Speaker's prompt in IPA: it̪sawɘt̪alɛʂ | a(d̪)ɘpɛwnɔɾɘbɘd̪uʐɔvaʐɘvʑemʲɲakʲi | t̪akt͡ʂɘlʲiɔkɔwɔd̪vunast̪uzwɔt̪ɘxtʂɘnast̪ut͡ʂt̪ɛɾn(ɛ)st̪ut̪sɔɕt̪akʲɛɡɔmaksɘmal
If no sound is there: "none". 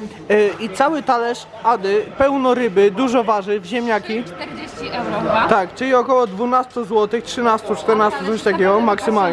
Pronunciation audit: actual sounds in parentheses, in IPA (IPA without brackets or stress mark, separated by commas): d̪, a